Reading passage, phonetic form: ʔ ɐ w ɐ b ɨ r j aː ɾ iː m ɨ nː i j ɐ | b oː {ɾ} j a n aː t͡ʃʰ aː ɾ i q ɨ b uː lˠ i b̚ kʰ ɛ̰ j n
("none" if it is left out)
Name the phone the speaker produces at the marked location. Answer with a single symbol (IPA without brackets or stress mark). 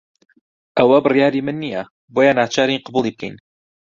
none